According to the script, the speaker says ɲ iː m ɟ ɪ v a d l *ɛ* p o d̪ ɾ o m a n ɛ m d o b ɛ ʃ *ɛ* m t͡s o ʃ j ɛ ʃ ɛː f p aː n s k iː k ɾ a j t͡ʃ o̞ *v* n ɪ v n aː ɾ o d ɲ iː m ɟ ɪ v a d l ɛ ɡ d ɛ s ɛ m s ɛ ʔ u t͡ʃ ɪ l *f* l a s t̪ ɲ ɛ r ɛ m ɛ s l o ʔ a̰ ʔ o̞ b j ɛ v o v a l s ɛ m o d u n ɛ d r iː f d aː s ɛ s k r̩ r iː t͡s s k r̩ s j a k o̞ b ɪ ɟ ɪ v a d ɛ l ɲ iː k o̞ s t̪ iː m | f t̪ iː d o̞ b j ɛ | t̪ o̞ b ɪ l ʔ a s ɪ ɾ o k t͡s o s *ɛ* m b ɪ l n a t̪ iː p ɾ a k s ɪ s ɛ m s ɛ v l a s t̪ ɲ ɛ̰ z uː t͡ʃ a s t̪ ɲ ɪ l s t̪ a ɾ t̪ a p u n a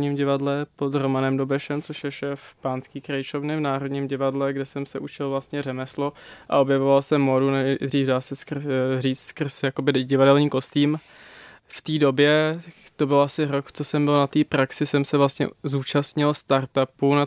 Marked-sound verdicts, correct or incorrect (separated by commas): correct, correct, correct, incorrect, correct